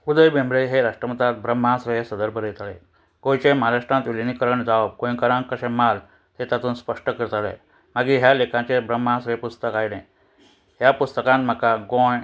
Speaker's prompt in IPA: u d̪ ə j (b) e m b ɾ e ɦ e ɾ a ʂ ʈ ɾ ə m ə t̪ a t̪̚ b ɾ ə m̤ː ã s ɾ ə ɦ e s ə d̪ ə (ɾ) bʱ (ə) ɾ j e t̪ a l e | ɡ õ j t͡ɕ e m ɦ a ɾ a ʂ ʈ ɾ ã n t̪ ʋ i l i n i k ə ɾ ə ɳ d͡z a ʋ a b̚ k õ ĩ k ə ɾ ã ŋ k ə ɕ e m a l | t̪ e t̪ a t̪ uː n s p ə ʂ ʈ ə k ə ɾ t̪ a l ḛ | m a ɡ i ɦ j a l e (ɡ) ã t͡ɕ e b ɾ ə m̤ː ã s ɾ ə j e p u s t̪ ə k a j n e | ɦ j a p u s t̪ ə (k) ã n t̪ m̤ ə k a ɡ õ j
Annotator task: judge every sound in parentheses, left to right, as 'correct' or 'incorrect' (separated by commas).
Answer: correct, correct, correct, incorrect, correct